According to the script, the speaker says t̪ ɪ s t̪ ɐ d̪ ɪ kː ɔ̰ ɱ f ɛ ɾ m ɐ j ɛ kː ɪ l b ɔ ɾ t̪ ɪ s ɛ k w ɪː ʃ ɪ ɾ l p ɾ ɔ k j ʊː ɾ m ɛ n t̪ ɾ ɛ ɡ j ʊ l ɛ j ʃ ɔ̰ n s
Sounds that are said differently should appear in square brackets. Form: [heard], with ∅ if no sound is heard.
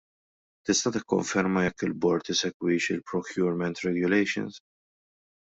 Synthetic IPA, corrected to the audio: t̪ ɪ s t̪ ɐ [t̪] ɪ kː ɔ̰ ɱ f ɛ ɾ m ɐ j ɛ kː ɪ l b ɔ ɾ t̪ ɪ s ɛ k w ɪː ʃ ɪ [∅] l p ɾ ɔ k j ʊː ɾ m ɛ n t̪ ɾ ɛ ɡ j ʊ l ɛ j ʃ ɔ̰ n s